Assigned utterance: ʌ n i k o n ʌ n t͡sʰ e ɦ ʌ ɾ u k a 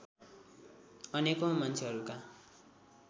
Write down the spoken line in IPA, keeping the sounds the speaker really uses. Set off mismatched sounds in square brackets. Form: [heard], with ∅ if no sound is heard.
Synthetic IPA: ʌ n [e] k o [m] ʌ n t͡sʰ e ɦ ʌ ɾ u k a